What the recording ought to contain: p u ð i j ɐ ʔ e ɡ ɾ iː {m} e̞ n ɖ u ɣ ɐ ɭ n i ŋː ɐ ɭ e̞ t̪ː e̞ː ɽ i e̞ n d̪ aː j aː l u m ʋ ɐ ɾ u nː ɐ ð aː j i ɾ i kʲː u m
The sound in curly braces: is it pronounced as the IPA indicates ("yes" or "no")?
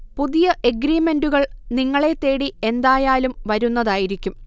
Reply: yes